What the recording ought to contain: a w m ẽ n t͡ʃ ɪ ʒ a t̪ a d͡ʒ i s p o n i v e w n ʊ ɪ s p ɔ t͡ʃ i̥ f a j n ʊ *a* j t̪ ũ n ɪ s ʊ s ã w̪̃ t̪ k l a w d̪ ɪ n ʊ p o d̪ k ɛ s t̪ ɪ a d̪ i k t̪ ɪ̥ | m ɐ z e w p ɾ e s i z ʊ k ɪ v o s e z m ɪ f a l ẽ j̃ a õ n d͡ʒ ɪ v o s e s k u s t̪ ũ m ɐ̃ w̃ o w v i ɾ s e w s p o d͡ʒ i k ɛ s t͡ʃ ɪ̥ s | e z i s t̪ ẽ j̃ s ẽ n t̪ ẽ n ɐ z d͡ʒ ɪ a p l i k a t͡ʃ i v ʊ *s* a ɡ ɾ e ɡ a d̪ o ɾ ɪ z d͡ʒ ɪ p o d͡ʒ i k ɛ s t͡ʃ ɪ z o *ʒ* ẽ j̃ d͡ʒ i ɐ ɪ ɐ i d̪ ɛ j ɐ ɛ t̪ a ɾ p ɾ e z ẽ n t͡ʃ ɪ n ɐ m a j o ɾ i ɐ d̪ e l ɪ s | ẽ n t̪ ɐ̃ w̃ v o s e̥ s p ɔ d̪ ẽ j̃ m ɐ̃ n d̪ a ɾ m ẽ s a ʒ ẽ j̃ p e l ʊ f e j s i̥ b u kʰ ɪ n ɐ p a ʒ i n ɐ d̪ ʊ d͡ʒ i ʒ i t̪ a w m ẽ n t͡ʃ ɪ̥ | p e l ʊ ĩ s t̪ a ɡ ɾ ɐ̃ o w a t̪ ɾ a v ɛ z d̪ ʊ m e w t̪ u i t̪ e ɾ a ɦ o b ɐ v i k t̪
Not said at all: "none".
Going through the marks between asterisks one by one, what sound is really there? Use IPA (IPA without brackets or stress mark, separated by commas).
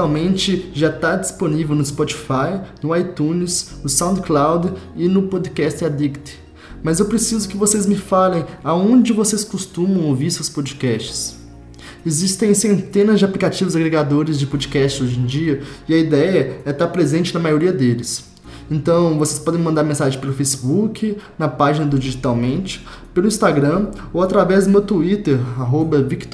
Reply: a, z, ʒ